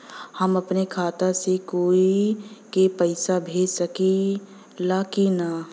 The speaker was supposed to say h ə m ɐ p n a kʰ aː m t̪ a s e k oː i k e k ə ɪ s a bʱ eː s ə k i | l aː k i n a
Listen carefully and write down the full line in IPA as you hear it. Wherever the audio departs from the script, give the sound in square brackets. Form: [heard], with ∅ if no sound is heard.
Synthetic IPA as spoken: h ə m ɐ p n [e] kʰ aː [∅] t̪ a s e k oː i k e [p] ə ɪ s a bʱ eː s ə k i | l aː k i n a

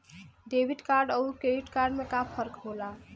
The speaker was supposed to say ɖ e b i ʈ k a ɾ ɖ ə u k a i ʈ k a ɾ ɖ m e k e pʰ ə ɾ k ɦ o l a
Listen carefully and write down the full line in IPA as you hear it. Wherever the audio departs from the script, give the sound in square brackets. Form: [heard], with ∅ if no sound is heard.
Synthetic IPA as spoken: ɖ e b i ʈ k a ɾ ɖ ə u k [e] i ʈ k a ɾ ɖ m e k [a] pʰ ə ɾ k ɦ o l a

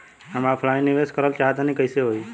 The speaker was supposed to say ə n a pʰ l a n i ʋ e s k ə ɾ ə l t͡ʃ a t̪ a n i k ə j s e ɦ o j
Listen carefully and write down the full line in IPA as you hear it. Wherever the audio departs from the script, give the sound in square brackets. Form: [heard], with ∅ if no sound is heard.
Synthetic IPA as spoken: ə [m] a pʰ l a n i ʋ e s k ə ɾ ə l t͡ʃ a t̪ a n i k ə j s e ɦ o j

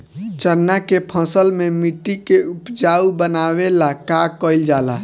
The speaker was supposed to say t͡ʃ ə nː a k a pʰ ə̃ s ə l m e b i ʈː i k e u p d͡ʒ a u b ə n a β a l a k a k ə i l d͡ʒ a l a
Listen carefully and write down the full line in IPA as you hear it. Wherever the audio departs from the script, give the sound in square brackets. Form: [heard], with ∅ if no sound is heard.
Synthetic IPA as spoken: t͡ʃ ə nː a k [e] pʰ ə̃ s ə l m e [m] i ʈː i k e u p d͡ʒ a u b ə n a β [e] l a k a k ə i l d͡ʒ a l a

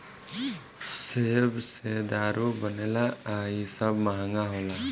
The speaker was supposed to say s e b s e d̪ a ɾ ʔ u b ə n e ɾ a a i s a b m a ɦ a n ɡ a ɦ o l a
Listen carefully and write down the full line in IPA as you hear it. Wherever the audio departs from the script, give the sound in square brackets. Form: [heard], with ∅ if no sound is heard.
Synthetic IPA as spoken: s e b s e d̪ a ɾ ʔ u b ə n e [l] a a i s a b m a ɦ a [ŋ] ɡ a ɦ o l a

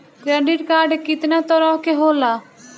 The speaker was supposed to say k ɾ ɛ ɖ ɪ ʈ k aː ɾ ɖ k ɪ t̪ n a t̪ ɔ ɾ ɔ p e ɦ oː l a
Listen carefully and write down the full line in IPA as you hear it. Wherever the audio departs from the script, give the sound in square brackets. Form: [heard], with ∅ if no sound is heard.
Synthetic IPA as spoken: k ɾ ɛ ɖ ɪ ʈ k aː ɾ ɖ k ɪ t̪ n a t̪ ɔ ɾ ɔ [k] e ɦ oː l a

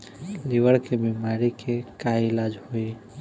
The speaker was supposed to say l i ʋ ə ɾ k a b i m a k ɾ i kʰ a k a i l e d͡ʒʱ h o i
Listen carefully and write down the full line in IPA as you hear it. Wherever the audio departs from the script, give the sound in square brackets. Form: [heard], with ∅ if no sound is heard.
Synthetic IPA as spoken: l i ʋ ə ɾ k [e] b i m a [∅] ɾ i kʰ [e] k a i l [a] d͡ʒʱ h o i

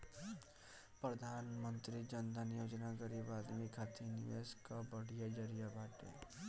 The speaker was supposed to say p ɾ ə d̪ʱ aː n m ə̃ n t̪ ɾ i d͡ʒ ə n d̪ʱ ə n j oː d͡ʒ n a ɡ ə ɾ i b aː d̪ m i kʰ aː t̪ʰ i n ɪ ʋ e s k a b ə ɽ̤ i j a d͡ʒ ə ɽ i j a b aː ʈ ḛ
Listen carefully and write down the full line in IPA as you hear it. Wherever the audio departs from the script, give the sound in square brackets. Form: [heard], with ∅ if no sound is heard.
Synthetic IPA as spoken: p ɾ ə d̪ʱ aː n m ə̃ n t̪ ɾ i d͡ʒ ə n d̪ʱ ə n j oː d͡ʒ n a ɡ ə ɾ i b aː d̪ m i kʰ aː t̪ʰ i n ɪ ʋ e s k a b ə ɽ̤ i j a d͡ʒ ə [ɾ] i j a b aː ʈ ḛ

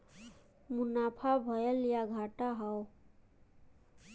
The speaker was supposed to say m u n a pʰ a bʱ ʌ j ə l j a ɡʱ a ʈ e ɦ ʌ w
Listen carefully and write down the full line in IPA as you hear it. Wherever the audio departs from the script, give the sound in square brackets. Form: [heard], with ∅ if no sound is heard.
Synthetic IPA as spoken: m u n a pʰ a bʱ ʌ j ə l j a ɡʱ a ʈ [a] ɦ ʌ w

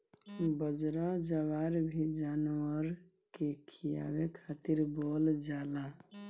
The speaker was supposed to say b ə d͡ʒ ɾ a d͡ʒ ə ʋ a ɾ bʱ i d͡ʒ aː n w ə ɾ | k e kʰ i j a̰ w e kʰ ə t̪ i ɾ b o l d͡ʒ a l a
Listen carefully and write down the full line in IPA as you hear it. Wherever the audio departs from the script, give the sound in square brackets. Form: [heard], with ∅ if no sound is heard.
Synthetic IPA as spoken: b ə d͡ʒ ɾ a d͡ʒ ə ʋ a ɾ bʱ i d͡ʒ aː n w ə ɾ | k e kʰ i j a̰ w e kʰ [a] t̪ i ɾ b o l d͡ʒ a l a

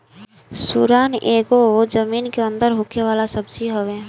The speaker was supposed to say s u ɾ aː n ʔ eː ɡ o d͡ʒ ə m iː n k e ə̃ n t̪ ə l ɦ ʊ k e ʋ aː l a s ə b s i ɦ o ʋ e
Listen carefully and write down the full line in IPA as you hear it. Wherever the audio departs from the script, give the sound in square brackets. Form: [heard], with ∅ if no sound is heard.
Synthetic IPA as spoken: s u ɾ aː n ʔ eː ɡ o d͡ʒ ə m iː n k e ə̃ n [d̪] ə [ɾ] ɦ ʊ k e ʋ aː l a s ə b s i ɦ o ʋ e

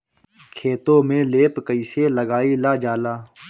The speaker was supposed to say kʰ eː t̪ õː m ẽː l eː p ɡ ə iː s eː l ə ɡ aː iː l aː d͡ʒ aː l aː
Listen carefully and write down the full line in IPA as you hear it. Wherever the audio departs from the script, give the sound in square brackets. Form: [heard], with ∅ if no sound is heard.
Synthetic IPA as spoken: kʰ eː t̪ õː m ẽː l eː p [k] ə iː s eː l ə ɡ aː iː l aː d͡ʒ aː l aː

